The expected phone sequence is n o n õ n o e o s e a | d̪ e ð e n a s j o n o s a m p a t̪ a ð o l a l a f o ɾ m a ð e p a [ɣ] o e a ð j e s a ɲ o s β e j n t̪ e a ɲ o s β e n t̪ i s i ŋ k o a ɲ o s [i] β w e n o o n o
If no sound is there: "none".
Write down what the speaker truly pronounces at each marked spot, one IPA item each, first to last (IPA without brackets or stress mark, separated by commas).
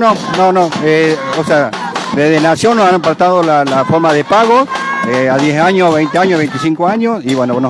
ɣ, i